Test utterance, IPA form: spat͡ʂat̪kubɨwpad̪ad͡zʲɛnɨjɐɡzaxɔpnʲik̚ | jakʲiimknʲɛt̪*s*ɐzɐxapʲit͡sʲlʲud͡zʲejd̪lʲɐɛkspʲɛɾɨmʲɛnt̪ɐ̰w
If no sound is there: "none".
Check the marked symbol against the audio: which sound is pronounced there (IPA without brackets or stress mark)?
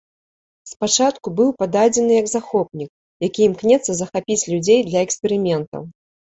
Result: sː